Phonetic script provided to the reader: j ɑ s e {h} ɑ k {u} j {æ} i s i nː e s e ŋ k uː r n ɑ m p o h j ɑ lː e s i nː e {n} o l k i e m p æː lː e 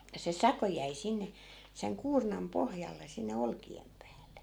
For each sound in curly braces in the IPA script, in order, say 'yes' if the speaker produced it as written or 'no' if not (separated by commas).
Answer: no, no, yes, no